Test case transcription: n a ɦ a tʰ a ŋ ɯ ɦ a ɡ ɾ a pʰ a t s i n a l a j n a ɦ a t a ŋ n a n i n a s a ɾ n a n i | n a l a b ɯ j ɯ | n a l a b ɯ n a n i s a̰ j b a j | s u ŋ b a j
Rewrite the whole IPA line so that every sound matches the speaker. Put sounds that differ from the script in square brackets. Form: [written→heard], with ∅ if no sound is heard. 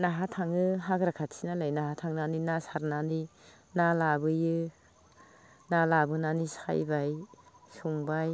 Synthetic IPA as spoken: n a ɦ a tʰ a ŋ ɯ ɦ a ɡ ɾ a [pʰ→kʰ] a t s i n a l a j n a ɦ a [t→tʰ] a ŋ n a n i n a s a ɾ n a n i | n a l a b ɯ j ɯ | n a l a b ɯ n a n i s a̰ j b a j | s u ŋ b a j

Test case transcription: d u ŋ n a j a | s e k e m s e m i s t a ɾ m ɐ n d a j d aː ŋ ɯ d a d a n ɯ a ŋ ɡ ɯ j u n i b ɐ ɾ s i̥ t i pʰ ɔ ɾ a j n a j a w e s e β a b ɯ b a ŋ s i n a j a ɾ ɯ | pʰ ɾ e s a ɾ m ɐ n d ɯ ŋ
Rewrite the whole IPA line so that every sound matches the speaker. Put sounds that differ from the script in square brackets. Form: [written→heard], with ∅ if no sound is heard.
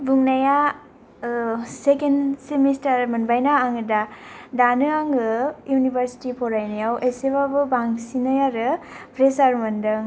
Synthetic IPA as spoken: [d→b] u ŋ n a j a | s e k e [m→n] s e m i s t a ɾ m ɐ n [d→b] a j [d→n] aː ŋ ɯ d a d a n ɯ a ŋ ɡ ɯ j u n i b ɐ ɾ s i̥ t i pʰ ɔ ɾ a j n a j a w e s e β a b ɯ b a ŋ s i n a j a ɾ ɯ | pʰ ɾ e s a ɾ m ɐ n d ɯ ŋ

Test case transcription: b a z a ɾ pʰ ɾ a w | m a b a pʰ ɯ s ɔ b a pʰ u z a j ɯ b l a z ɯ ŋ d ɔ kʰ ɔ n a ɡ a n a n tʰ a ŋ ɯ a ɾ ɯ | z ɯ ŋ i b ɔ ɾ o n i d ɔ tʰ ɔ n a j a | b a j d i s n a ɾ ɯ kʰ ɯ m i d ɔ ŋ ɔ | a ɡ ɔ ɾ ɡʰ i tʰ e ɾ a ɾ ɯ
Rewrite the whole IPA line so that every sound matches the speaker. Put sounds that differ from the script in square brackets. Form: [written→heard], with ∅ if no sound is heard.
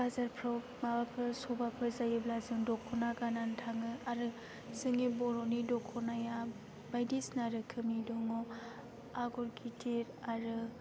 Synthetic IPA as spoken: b a z a ɾ pʰ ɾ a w | m a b a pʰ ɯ s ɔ b a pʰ [u→ɯ] z a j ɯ b l a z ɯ ŋ d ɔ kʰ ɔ n a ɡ a n a n tʰ a ŋ ɯ a ɾ ɯ | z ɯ ŋ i b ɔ ɾ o n i d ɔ [tʰ→kʰ] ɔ n a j a | b a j d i s n a ɾ ɯ kʰ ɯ m i d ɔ ŋ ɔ | a ɡ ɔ ɾ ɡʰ i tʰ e ɾ a ɾ ɯ

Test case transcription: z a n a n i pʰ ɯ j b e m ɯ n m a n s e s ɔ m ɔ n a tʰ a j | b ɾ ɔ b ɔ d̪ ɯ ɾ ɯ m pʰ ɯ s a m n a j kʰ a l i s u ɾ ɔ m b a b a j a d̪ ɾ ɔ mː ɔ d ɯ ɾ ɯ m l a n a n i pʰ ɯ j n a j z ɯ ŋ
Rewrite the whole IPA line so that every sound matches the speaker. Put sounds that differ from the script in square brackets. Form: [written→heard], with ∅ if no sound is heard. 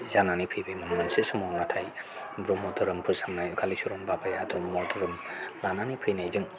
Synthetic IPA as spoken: z a n a n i pʰ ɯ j b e m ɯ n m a n s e s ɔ m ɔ n a tʰ a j | b ɾ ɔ [b→m] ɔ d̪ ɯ ɾ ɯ m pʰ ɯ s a m n a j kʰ a l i s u ɾ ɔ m b a b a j a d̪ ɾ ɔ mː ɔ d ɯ ɾ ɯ m l a n a n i pʰ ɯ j n a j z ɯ ŋ

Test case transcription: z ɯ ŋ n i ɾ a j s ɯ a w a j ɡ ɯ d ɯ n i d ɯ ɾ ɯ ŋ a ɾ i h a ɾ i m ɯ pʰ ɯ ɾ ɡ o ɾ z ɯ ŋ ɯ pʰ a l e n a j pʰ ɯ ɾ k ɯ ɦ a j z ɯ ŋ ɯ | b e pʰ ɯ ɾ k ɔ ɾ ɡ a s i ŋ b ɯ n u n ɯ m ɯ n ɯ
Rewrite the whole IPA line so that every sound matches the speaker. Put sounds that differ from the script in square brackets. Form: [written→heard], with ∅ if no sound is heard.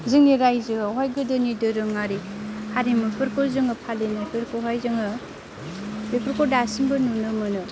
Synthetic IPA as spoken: z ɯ ŋ n i ɾ a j [s→z] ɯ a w a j ɡ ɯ d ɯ n i d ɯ ɾ ɯ ŋ a ɾ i h a ɾ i m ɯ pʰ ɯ ɾ [ɡ→k] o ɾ z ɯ ŋ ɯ pʰ a l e n a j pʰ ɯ ɾ k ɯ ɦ a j z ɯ ŋ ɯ | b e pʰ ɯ ɾ k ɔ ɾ [ɡ→d] a s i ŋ b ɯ n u n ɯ m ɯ n ɯ

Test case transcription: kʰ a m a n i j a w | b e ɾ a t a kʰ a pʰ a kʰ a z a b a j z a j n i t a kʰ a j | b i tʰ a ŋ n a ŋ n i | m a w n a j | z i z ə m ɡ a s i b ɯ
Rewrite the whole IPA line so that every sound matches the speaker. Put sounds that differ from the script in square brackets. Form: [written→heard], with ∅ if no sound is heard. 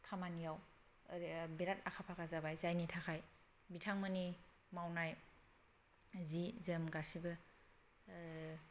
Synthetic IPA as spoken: kʰ a m a n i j a w | b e ɾ a t a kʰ a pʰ a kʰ a z a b a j z a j n i [t→tʰ] a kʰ a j | b i tʰ a ŋ [n→m] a [ŋ→∅] n i | m a w n a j | z i z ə m ɡ a s i b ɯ

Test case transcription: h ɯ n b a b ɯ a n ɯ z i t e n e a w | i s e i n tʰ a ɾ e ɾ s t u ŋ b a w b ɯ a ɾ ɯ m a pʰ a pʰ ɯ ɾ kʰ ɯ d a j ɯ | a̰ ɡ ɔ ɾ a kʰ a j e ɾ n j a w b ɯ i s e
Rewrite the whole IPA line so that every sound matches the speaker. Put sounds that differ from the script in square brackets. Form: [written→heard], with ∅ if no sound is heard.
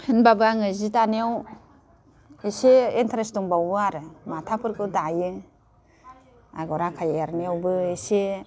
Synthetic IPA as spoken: h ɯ n b a b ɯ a [n→ŋ] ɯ z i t [e→a] n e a w | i s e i n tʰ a ɾ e [ɾ→∅] s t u ŋ b a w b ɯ a ɾ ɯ m a [pʰ→tʰ] a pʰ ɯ ɾ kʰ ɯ d a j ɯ | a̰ ɡ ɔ ɾ a kʰ a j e ɾ n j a w b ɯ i s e

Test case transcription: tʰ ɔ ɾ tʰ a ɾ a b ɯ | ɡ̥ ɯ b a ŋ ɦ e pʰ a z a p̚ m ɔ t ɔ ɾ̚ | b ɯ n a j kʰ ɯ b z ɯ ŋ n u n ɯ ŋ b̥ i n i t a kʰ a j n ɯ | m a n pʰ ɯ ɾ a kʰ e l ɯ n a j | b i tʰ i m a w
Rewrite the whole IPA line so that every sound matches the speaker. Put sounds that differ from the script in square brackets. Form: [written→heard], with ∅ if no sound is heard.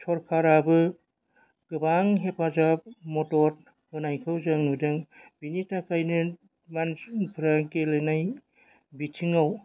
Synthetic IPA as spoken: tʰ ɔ ɾ [tʰ→kʰ] a ɾ a b ɯ | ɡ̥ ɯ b a ŋ ɦ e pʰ a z a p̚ m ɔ t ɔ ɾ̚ | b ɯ n a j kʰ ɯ [b→w] z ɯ ŋ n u [n→d] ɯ ŋ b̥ i n i t a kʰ a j n ɯ | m a n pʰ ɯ ɾ a [kʰ→k] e l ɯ n a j | b i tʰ i [m→ŋ] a w

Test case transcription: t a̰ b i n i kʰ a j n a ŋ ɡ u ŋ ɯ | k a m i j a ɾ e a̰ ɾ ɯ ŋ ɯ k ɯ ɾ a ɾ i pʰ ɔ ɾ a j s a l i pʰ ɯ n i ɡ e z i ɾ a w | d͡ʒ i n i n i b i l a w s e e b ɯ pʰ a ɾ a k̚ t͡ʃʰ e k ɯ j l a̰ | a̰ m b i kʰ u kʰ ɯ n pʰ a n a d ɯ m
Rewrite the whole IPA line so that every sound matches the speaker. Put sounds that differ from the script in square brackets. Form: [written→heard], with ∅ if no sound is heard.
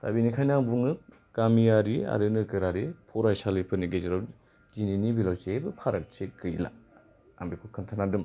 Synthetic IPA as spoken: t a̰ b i n i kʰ a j n a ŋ [ɡ→b] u ŋ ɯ | k a m i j a ɾ [e→i] a̰ ɾ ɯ [ŋ→n] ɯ k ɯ ɾ a ɾ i pʰ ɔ ɾ a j s a l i pʰ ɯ n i ɡ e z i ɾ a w | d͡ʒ i n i n i b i l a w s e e b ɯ pʰ a ɾ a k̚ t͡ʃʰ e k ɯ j l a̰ | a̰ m b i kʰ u kʰ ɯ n [pʰ→tʰ] a n a d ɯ m

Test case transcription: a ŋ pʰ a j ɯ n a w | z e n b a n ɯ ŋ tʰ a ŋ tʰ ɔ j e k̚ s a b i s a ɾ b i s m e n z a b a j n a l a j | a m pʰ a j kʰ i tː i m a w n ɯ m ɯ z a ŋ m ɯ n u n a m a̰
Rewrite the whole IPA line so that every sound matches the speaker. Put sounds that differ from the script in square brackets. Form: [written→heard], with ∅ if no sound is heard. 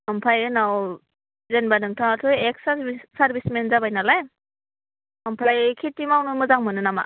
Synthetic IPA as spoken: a [ŋ→m] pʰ a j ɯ n a w | z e n b a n ɯ ŋ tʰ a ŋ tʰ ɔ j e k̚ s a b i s a ɾ b i s m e n z a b a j n a l a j | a m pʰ a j kʰ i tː i m a w n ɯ m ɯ z a ŋ m ɯ n [u→ɯ] n a m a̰

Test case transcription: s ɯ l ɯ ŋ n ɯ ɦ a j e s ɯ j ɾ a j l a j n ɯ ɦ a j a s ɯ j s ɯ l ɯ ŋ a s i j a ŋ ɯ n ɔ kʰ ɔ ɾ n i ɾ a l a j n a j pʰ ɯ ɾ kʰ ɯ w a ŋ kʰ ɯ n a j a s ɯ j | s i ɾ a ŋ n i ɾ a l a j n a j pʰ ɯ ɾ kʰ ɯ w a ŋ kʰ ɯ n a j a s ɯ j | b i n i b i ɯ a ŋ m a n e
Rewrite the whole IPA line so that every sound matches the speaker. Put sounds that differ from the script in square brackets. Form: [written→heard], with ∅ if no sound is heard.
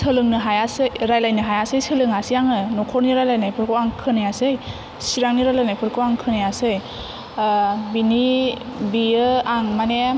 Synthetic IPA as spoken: s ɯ l ɯ ŋ n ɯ ɦ a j [e→a] s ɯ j ɾ a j l a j n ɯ ɦ a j a s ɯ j s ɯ l ɯ ŋ a s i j a ŋ ɯ n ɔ kʰ ɔ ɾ n i ɾ a l a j n a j pʰ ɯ ɾ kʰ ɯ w a ŋ kʰ ɯ n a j a s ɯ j | s i ɾ a ŋ n i ɾ a l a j n a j pʰ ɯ ɾ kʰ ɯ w a ŋ kʰ ɯ n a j a s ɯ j | b i n i b i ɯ a ŋ m a n e

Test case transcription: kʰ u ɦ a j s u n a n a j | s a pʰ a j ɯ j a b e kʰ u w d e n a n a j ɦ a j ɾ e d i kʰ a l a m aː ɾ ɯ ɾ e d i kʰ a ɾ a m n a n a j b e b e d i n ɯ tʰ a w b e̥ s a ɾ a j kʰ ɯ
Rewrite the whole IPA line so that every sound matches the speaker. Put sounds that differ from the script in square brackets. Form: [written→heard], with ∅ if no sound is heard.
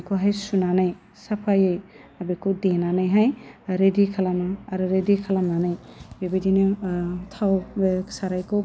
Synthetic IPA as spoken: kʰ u ɦ a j s u n a n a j | s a pʰ a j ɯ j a b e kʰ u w d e n a n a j ɦ a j ɾ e d i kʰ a l a m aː ɾ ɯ ɾ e d i kʰ a [ɾ→l] a m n a n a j b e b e d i n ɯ tʰ a w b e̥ s a ɾ a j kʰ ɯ

